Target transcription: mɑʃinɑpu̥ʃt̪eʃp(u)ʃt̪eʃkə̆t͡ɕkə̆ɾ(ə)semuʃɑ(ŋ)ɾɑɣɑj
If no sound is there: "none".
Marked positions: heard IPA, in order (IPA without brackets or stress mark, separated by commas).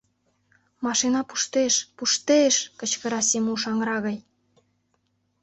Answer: u, ɑ, ŋ